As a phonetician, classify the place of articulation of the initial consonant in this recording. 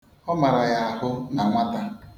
labial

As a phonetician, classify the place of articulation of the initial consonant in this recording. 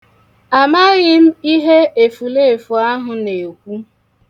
labial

